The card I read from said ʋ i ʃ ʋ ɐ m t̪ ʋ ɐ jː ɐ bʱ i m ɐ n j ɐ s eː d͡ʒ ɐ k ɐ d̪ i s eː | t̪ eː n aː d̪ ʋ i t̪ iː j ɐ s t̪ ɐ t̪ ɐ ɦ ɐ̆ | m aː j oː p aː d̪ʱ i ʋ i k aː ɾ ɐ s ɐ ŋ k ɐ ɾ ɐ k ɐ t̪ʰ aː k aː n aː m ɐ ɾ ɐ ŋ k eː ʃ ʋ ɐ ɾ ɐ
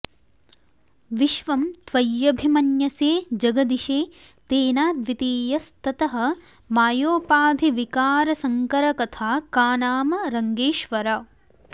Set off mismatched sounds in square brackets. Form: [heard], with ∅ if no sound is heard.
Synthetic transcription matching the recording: ʋ i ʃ ʋ ɐ m t̪ ʋ ɐ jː ɐ bʱ i m ɐ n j ɐ s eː d͡ʒ ɐ [ɡ] ɐ d̪ i [ʃ] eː | t̪ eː n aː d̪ ʋ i t̪ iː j ɐ s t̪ ɐ t̪ ɐ ɦ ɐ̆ | m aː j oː p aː d̪ʱ i ʋ i k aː ɾ ɐ s ɐ ŋ k ɐ ɾ ɐ k ɐ t̪ʰ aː k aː n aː m ɐ ɾ ɐ ŋ [ɡ] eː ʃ ʋ ɐ ɾ ɐ